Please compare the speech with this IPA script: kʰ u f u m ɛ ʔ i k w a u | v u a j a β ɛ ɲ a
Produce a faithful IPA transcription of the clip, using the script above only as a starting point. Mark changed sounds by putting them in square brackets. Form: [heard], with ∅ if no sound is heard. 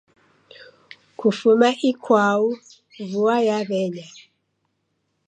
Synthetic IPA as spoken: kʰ u f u m [a] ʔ i k w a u | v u a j a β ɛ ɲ a

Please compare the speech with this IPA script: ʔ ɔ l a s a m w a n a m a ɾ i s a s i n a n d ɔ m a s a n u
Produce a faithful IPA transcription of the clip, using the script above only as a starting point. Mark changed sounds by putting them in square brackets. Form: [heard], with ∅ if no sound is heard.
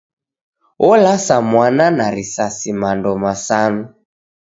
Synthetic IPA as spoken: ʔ ɔ l a s a m w a n a [n] a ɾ i s a s i [m] a n d ɔ m a s a n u

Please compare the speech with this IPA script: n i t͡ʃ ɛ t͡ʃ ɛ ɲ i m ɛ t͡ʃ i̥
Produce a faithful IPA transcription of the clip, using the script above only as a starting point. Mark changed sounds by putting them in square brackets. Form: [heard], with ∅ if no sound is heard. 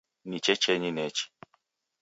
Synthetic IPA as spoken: n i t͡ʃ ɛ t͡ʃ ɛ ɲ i [n] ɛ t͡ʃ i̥

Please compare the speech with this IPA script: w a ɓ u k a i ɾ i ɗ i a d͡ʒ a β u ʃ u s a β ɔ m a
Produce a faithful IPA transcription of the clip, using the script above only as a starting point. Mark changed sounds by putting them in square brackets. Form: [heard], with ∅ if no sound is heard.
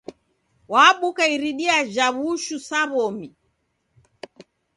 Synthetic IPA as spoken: w a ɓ u k a i ɾ i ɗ i a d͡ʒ a β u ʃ u s a β ɔ m [i]

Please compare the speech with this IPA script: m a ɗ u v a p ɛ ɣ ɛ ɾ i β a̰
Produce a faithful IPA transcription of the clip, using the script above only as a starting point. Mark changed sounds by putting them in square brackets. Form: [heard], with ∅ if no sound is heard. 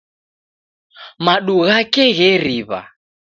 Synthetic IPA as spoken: m a ɗ u [ɣ] a [k] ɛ ɣ ɛ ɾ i β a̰

